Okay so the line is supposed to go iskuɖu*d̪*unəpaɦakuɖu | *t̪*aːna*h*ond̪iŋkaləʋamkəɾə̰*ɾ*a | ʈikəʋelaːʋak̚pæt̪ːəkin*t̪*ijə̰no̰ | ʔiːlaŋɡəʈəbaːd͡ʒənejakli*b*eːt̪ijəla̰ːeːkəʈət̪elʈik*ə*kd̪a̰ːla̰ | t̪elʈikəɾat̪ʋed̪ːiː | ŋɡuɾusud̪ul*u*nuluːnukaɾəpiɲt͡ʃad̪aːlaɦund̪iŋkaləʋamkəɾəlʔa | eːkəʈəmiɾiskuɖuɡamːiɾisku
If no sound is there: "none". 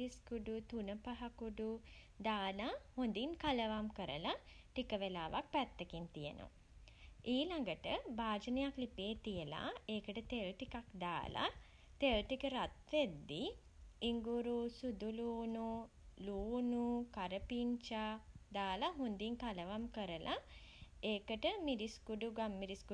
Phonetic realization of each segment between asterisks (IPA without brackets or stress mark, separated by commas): t̪, d̪, h, l, t̪, p, a, uː